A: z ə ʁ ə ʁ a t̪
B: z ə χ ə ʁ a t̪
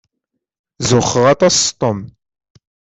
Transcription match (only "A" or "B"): B